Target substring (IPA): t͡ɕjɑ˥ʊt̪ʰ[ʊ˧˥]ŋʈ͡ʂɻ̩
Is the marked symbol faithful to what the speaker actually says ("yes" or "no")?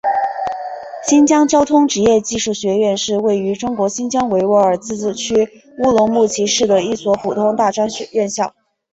no